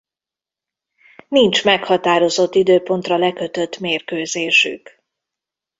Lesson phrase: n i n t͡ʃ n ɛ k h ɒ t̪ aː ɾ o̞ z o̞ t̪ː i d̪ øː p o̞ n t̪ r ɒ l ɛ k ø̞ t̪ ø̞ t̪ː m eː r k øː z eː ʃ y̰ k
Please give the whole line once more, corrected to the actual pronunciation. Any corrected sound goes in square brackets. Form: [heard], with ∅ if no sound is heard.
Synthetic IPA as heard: n i n t͡ʃ [m] ɛ k h ɒ t̪ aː ɾ o̞ z o̞ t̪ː i d̪ øː p o̞ n t̪ r ɒ l ɛ k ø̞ t̪ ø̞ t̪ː m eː r k øː z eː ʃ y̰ k